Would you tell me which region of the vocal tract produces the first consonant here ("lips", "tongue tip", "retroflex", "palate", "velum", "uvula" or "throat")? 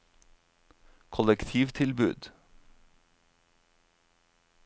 velum